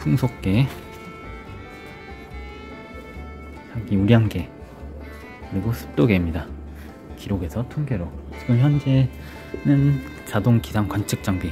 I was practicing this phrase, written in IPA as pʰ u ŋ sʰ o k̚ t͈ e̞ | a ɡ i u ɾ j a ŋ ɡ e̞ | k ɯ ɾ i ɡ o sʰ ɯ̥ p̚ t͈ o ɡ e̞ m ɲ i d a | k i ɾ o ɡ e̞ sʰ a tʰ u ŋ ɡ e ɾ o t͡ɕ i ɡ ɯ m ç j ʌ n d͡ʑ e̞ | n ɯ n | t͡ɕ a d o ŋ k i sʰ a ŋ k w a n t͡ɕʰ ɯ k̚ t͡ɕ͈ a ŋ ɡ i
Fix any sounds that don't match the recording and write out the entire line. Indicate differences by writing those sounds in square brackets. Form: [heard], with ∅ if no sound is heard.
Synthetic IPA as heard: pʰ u ŋ sʰ o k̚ [k͈] e̞ | a ɡ i u ɾ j a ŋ ɡ e̞ | k ɯ ɾ i ɡ o sʰ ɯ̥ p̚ t͈ o ɡ e̞ m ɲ i d a | k i ɾ o ɡ e̞ sʰ [ʌ] tʰ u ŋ ɡ e ɾ o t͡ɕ i ɡ ɯ m ç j ʌ n d͡ʑ e̞ | n ɯ n | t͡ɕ a d o ŋ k i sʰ a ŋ k w a n t͡ɕʰ ɯ k̚ t͡ɕ͈ a ŋ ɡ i

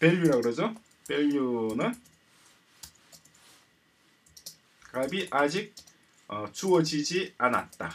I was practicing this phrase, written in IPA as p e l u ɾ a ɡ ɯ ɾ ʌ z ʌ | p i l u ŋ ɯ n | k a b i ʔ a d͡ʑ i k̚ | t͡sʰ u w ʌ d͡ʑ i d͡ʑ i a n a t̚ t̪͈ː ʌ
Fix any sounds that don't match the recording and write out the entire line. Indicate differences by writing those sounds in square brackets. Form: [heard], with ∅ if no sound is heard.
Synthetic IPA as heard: p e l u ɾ a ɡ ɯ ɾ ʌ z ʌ | p [e] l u [n] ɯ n | k a b i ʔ a d͡ʑ i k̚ | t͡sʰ u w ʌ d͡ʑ i d͡ʑ i a n a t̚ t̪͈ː [a]

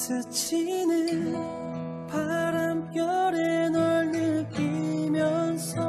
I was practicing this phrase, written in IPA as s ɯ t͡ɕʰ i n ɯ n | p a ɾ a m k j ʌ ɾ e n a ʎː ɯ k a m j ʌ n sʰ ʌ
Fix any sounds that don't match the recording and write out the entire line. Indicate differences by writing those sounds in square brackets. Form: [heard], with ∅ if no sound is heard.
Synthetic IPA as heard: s ɯ t͡ɕʰ i n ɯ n | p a ɾ a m k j ʌ ɾ e n [ʌ] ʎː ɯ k [i] m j ʌ n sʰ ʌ

